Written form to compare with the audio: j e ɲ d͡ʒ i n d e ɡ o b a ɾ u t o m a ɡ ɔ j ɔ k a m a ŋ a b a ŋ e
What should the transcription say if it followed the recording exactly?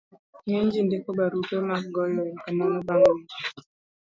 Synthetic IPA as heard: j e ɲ d͡ʒ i n d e k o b a ɾ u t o m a ɡ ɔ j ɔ k a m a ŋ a b a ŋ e